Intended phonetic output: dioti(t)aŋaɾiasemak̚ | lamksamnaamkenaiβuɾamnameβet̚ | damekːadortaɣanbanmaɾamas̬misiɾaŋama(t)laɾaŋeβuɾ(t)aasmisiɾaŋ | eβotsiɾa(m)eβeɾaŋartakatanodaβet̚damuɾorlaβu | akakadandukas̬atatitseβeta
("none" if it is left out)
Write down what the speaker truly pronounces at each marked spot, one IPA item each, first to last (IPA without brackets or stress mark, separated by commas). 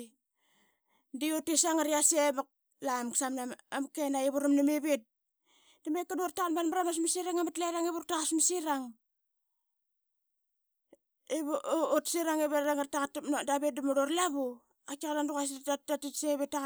s, t, t, ŋ